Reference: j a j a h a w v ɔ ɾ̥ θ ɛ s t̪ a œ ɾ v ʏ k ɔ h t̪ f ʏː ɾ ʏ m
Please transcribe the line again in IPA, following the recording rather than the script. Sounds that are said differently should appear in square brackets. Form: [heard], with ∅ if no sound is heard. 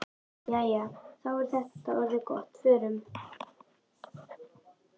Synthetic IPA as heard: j a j a [θ] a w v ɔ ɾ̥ θ ɛ [h] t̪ a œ ɾ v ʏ k ɔ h t̪ f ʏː ɾ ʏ m